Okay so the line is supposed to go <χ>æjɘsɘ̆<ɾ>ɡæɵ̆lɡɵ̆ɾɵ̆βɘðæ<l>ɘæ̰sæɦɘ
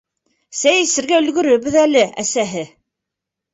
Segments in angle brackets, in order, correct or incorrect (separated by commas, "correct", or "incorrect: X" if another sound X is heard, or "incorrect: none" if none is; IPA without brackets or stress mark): incorrect: s, correct, correct